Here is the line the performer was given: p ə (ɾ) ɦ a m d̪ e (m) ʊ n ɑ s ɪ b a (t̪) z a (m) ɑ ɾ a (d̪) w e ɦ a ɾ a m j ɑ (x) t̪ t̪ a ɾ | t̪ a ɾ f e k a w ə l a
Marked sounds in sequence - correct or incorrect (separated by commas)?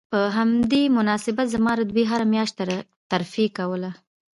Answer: incorrect, correct, correct, correct, correct, incorrect